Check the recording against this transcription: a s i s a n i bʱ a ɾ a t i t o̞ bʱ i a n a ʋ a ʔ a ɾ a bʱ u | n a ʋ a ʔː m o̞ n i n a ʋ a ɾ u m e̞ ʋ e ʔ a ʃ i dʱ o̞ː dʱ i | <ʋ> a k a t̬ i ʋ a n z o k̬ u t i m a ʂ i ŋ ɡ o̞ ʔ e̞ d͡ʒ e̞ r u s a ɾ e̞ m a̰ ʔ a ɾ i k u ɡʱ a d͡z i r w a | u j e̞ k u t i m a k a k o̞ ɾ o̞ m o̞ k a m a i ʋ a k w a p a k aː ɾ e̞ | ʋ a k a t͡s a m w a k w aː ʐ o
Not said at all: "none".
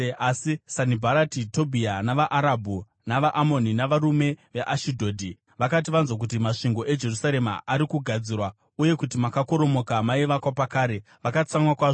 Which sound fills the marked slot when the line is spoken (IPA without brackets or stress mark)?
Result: ʋ